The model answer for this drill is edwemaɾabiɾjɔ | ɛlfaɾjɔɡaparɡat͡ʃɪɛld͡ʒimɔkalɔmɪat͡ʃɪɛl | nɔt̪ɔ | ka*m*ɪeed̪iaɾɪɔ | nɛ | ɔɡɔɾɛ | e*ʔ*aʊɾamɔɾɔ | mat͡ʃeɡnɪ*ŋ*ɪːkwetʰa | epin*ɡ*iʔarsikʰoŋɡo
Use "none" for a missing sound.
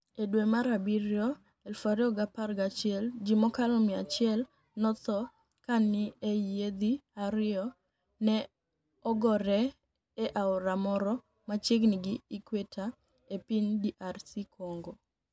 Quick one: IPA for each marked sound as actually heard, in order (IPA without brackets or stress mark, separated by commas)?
n, ʔ, ɡ, d